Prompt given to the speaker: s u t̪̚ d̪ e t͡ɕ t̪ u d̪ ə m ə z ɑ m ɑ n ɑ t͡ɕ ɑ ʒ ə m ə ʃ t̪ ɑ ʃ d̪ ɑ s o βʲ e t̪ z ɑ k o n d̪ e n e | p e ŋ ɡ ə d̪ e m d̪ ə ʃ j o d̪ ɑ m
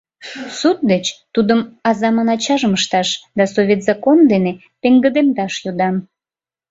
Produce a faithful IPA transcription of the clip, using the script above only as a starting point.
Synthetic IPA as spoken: s u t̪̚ d̪ e t͡ɕ t̪ u d̪ ə m ɑ z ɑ m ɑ n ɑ t͡ɕ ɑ ʒ ə m ə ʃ t̪ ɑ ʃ d̪ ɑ s o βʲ e t̪ z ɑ k o n d̪ e n e | p e ŋ ɡ ə d̪ e m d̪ ɑ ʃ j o d̪ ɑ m